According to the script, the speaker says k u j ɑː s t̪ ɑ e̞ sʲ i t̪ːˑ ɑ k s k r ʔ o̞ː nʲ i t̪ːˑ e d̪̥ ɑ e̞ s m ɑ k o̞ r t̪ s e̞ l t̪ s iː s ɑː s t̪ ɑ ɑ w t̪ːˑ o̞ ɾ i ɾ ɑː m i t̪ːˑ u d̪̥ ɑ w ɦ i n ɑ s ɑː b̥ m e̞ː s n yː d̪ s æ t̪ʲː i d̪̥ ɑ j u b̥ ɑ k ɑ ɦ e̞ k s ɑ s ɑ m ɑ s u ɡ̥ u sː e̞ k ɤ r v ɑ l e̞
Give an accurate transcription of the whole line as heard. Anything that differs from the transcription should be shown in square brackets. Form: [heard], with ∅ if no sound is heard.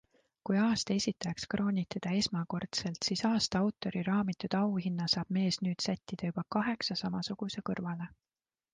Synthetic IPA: k u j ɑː s t̪ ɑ e̞ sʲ i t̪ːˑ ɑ k s k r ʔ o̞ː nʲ i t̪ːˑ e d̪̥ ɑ e̞ s m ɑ k o̞ r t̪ s e̞ l t̪ s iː s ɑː s t̪ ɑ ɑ w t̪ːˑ o̞ ɾ i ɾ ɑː m i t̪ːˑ u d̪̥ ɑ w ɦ i [nː] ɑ s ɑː b̥ m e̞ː s n yː d̪ s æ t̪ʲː i d̪̥ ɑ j u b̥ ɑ k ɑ ɦ e̞ k s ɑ s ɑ m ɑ s u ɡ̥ u [s] e̞ k ɤ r v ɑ l e̞